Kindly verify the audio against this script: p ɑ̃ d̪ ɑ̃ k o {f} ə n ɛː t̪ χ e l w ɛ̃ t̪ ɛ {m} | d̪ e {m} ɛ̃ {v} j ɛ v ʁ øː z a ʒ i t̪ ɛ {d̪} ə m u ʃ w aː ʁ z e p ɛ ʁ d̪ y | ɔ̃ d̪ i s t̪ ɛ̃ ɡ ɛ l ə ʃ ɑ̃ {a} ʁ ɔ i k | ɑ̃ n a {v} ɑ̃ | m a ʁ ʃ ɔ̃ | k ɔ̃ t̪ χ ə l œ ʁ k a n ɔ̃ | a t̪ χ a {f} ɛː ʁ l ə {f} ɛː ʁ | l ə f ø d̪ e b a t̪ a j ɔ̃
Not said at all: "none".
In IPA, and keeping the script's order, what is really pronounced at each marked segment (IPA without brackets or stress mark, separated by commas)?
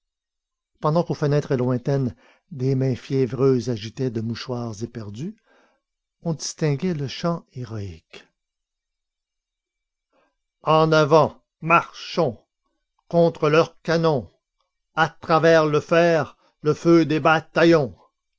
f, n, m, f, d̪, e, v, v, f